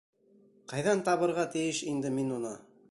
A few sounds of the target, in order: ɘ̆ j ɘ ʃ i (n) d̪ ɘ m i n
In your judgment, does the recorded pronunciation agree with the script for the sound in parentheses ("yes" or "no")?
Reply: yes